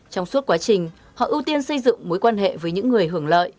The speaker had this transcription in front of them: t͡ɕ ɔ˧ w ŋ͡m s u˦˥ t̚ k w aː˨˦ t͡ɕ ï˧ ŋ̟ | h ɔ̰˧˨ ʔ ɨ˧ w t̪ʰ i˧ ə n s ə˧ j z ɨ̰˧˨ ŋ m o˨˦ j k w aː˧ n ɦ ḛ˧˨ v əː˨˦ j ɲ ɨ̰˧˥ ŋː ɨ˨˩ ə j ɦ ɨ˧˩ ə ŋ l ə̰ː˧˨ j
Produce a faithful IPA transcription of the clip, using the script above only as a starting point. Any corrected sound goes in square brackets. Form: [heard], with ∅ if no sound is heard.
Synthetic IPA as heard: t͡ɕ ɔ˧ w ŋ͡m s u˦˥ t̚ k w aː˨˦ t͡ɕ [ï˨˩] ŋ̟ | h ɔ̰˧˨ ʔ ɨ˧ w [t̪] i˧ ə n s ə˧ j z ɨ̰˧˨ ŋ m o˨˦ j k w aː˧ n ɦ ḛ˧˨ v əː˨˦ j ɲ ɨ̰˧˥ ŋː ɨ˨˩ ə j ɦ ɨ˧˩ ə ŋ l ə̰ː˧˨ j